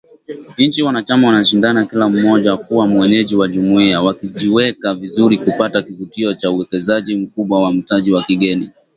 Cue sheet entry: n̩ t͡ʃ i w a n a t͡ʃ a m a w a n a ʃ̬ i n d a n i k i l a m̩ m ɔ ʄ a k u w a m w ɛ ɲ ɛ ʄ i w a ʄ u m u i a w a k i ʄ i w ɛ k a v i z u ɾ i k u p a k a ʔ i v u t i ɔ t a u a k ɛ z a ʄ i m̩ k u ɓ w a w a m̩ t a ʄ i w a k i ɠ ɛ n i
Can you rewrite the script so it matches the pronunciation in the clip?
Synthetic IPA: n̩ t͡ʃ i w a n a t͡ʃ a m a w a n a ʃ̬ i n d a n a k i l a m̩ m ɔ ʄ a k u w a m w ɛ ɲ ɛ ʄ i w a ʄ u m u i a w a k i ʄ i w ɛ k a v i z u ɾ i k u p a t a k i v u t i ɔ t͡ʃ a u ɛ k ɛ z a ʄ i m̩ k u ɓ w a w a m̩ t a ʄ i w a k i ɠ ɛ n i